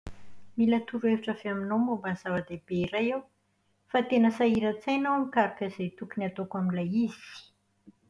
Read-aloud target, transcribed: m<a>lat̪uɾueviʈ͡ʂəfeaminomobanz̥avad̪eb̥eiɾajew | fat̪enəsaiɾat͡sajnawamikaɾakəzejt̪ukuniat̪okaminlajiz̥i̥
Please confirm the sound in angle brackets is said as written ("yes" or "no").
no